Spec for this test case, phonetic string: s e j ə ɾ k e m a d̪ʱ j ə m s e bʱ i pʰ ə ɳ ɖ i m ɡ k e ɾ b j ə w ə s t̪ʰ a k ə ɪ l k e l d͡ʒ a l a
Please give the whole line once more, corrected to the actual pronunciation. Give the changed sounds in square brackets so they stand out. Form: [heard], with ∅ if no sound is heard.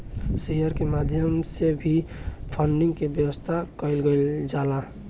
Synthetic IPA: s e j ə ɾ k e m a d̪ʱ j ə m s e bʱ i pʰ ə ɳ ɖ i [ŋ] ɡ k e [∅] b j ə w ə s t̪ʰ a k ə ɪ l [ɡ] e l d͡ʒ a l a